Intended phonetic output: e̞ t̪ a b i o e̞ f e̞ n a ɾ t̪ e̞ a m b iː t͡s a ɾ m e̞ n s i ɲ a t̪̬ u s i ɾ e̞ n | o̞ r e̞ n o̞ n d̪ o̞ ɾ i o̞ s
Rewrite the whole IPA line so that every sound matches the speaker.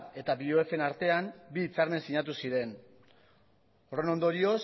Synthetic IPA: e̞ t̪ a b i o e̞ f e̞ n a ɾ t̪ e̞ a m b iː t͡s a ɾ m e̞ n s i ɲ a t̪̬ u s i ɾ e̞ n | o̞ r e̞ n o̞ n d̪ o̞ ɾ i o̞ s